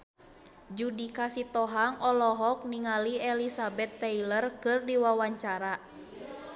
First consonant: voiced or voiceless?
voiced